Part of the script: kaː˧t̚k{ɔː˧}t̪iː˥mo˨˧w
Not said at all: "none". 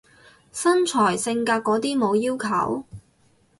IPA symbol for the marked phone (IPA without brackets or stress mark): ɔː˨˥